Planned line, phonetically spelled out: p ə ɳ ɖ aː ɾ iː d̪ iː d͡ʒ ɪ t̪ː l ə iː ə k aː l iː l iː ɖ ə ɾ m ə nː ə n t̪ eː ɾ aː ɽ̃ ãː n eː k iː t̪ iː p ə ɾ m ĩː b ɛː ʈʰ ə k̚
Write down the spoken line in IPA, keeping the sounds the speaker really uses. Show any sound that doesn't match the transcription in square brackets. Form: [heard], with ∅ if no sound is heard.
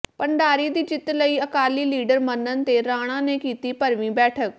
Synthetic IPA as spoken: p ə ɳ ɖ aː ɾ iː d̪ iː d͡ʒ ɪ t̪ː l ə iː ə k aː l iː l iː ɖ ə ɾ m ə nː ə n t̪ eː ɾ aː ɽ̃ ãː n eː k iː t̪ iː p ə ɾ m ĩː b ɛː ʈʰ ə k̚

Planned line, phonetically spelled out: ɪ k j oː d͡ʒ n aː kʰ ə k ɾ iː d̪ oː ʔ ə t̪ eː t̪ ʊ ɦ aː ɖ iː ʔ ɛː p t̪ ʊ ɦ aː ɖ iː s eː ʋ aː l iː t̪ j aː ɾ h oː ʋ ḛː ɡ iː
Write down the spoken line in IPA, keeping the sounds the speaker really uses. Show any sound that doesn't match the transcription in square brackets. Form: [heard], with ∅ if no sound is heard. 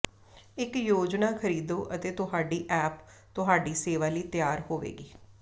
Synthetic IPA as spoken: ɪ k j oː d͡ʒ n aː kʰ ə [∅] ɾ iː d̪ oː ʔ ə t̪ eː t̪ ʊ ɦ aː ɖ iː ʔ ɛː p t̪ ʊ ɦ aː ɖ iː s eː ʋ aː l iː t̪ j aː ɾ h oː ʋ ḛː ɡ iː

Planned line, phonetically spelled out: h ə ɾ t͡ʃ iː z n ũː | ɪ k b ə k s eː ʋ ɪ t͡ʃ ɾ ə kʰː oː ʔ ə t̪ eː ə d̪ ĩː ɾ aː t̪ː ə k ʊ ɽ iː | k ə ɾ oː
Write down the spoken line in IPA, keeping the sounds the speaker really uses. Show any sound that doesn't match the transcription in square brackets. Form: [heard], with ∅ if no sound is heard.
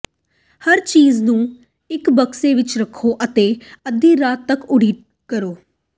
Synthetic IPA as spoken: h ə ɾ t͡ʃ iː z n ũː | ɪ k b ə k s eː ʋ ɪ t͡ʃ ɾ ə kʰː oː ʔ ə t̪ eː ə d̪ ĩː ɾ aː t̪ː ə k ʊ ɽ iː | k ə ɾ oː

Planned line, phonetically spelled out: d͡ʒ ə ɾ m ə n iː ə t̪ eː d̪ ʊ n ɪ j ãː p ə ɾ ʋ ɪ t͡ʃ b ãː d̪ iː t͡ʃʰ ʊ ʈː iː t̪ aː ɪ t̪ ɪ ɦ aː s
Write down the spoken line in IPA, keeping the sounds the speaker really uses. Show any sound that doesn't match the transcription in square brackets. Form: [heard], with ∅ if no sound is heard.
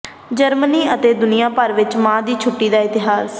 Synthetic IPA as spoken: d͡ʒ ə ɾ m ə n iː ə t̪ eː d̪ ʊ n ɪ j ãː p ə ɾ ʋ ɪ t͡ʃ [m] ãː d̪ iː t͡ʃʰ ʊ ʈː iː [d̪] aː ɪ t̪ ɪ ɦ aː s

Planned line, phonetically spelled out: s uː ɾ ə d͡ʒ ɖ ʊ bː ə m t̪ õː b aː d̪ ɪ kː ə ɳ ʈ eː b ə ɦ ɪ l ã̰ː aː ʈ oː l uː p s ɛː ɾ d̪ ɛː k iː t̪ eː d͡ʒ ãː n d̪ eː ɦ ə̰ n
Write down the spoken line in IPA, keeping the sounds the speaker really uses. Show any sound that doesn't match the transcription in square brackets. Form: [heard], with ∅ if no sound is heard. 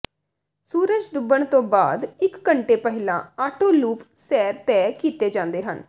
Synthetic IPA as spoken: s uː ɾ ə d͡ʒ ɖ ʊ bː ə [ɳ] t̪ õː b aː d̪ ɪ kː ə ɳ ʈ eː [p] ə ɦ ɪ l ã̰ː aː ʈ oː l uː p s ɛː ɾ [t̪] ɛː k iː t̪ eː d͡ʒ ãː n d̪ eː ɦ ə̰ n

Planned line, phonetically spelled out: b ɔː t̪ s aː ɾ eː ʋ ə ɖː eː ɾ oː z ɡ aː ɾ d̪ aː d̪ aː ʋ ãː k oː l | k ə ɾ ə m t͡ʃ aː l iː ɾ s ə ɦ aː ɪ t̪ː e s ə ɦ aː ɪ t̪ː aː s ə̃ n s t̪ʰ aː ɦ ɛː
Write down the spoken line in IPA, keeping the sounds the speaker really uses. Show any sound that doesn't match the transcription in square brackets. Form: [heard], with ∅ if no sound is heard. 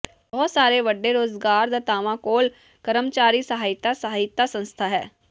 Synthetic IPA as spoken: b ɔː t̪ s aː ɾ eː ʋ ə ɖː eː ɾ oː z ɡ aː ɾ d̪ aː [t̪] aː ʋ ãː k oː l | k ə ɾ ə m t͡ʃ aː [ɾ] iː [∅] s ə ɦ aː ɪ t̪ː [a] s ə ɦ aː ɪ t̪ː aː s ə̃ n s t̪ʰ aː ɦ ɛː

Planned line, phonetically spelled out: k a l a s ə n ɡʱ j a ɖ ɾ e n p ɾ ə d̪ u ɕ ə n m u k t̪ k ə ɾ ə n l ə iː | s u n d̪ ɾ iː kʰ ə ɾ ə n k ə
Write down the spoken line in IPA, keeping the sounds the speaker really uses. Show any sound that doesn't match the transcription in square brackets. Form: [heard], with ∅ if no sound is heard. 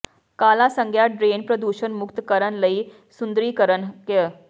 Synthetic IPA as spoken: k a l a s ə [ŋ] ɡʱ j a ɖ ɾ e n p ɾ ə d̪ u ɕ ə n m u k t̪ k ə ɾ ə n l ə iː | s u n d̪ ɾ iː [k] ə ɾ ə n k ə

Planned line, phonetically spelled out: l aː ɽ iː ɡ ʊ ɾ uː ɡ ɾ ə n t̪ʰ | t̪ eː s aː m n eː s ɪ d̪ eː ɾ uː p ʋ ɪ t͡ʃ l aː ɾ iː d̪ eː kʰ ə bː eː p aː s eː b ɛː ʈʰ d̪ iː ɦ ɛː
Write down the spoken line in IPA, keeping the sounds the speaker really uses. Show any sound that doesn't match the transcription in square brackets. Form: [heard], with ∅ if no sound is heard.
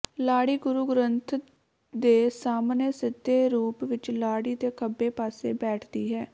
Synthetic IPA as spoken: l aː ɽ iː ɡ ʊ ɾ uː ɡ ɾ ə n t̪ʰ | [d̪] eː s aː m n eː s ɪ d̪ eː ɾ uː p ʋ ɪ t͡ʃ l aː [ɽ] iː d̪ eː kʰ ə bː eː p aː s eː b ɛː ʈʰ d̪ iː ɦ ɛː

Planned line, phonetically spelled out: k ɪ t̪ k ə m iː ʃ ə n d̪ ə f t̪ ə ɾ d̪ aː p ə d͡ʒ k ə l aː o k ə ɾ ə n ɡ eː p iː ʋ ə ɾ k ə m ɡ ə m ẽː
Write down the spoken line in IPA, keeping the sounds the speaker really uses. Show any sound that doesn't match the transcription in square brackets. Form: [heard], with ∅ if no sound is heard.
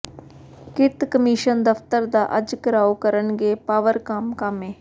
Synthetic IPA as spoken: k ɪ t̪ k ə m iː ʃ ə n d̪ ə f t̪ ə ɾ d̪ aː [ʔ] ə d͡ʒ k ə [ɾ] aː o k ə ɾ ə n ɡ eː p [aː] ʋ ə ɾ k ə m [k] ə m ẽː

